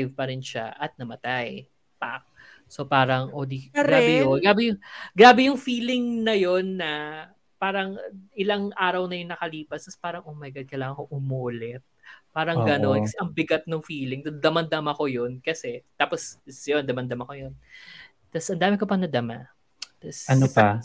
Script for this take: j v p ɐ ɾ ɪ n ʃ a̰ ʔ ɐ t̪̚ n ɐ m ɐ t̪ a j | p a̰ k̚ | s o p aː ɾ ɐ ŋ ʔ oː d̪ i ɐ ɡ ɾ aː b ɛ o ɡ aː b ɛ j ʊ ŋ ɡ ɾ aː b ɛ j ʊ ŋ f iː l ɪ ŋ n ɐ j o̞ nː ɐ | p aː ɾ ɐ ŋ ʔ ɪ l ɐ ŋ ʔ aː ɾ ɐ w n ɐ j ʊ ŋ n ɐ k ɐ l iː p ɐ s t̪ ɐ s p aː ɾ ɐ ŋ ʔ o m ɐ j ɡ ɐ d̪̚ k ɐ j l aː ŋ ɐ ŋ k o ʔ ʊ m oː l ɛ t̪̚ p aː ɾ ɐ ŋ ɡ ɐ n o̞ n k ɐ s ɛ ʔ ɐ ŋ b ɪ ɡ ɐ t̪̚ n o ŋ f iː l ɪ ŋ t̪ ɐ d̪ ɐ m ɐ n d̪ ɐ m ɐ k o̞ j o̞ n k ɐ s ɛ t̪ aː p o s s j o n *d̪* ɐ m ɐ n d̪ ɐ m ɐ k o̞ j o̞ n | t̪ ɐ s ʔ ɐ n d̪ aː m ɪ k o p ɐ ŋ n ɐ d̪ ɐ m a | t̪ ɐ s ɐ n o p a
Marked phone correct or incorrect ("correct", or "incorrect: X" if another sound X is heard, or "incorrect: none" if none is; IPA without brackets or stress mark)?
correct